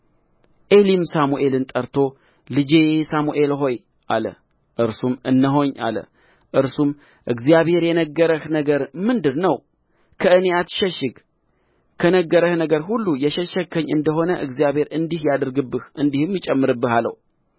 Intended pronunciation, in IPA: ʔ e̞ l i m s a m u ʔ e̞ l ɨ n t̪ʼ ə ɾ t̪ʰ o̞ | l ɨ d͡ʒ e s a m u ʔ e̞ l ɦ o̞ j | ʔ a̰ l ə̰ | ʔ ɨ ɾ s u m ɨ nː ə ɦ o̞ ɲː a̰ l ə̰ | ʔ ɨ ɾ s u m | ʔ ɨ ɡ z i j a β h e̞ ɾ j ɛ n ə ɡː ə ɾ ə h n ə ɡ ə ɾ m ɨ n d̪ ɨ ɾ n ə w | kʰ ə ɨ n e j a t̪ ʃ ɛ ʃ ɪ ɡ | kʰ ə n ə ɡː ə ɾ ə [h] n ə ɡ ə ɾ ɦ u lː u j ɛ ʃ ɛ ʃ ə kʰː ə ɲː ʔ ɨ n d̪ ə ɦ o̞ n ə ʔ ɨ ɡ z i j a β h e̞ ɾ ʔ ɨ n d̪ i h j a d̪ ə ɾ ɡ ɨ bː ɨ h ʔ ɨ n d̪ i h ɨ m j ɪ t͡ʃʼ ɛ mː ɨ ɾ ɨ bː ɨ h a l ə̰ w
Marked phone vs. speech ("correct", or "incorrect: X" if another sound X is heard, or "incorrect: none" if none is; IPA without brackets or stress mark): correct